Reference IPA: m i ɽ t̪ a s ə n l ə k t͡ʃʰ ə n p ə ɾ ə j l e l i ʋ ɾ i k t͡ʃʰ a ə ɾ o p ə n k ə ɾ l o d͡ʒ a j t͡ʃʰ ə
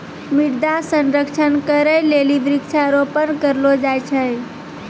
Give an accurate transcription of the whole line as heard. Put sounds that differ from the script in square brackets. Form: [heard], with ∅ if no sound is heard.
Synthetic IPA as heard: m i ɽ [d̪] a s ə n [ɾ] ə k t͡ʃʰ ə n [k] ə ɾ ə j l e l i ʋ ɾ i k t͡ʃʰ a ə ɾ o p ə n k ə ɾ l o d͡ʒ a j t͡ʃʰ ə